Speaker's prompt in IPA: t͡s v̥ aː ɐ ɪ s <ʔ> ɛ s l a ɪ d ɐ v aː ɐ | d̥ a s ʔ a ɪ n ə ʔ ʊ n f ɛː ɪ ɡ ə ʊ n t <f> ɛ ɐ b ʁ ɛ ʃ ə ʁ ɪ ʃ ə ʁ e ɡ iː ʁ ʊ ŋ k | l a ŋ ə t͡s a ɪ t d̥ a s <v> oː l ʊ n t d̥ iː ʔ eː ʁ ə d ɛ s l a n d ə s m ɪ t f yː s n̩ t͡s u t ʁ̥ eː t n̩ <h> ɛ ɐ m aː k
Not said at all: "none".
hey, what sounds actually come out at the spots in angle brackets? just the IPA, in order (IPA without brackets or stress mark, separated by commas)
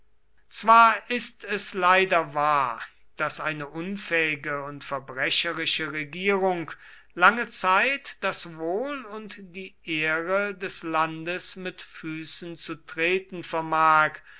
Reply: t, f, v, f